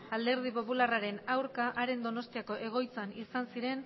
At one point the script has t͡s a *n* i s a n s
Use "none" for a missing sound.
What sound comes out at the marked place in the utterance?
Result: n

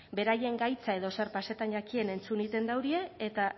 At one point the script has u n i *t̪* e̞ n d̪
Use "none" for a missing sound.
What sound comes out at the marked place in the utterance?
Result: t̪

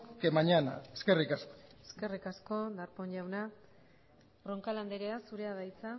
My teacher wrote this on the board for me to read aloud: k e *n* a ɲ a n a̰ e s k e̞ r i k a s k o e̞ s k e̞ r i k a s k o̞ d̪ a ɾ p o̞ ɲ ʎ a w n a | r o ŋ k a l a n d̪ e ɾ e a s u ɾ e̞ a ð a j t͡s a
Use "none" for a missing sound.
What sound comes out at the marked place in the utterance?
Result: m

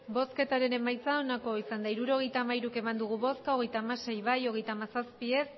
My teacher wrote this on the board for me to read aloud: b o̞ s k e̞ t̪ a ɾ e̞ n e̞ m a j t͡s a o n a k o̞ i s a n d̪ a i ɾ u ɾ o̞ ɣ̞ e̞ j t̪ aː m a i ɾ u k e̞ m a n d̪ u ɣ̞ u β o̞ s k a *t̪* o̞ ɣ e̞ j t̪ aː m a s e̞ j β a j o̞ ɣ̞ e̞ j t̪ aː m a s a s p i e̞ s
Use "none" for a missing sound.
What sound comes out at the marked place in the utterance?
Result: none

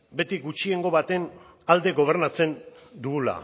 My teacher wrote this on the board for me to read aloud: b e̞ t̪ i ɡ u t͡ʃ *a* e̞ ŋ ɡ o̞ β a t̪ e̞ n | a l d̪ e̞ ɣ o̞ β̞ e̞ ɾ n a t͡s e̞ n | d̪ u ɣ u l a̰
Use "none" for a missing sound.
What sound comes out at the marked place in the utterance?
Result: i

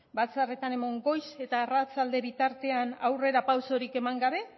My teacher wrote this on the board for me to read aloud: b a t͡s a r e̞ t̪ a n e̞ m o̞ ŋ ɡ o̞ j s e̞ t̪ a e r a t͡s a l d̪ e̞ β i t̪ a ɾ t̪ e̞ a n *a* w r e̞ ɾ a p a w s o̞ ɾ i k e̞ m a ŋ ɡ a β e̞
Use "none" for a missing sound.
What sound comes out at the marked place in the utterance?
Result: a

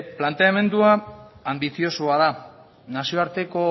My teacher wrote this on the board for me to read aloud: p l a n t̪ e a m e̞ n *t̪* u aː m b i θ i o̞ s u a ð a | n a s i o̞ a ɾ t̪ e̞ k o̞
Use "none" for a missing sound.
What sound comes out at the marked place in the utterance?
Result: d̪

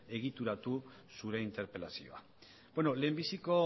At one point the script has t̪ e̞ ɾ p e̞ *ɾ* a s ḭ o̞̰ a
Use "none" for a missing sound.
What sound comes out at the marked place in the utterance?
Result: l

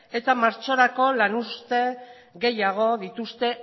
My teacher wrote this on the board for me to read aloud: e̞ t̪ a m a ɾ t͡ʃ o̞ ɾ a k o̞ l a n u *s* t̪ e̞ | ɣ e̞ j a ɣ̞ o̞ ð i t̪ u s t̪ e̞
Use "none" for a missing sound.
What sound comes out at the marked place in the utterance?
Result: s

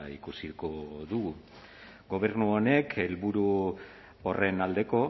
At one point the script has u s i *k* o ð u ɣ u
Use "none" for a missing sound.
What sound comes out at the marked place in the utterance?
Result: k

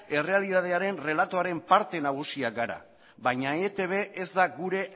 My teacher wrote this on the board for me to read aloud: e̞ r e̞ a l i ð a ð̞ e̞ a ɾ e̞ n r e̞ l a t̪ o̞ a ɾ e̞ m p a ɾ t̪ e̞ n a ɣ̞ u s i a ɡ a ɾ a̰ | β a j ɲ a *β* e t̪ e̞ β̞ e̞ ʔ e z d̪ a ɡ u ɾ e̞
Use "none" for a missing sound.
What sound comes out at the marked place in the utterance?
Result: none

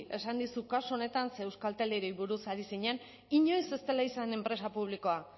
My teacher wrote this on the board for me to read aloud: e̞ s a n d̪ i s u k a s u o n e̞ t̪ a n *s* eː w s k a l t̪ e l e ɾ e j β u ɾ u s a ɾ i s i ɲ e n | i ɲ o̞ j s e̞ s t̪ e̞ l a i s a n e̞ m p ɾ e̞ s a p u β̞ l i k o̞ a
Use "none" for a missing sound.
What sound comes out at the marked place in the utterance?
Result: s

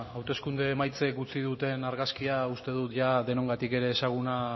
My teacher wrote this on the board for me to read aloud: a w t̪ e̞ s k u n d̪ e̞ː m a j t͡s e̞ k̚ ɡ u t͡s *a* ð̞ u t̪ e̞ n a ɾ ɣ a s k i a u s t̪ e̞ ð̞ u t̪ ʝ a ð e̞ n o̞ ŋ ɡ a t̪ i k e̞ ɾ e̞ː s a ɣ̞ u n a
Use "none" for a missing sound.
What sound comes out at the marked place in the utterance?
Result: i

